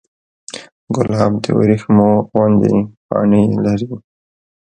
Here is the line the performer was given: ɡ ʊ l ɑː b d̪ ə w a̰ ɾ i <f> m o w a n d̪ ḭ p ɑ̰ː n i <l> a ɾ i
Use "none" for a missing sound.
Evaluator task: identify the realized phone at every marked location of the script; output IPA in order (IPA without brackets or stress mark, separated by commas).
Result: x, l